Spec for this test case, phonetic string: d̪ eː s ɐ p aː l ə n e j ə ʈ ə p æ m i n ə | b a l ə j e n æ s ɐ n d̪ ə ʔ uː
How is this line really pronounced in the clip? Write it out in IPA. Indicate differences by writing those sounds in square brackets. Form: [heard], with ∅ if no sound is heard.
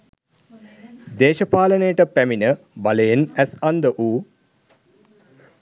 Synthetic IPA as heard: d̪ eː [ʃ] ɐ p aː l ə n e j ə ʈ ə p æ m i n ə | b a l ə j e n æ s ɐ n d̪ ə ʔ uː